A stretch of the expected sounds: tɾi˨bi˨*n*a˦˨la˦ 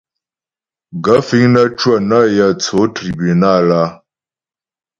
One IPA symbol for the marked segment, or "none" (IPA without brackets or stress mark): n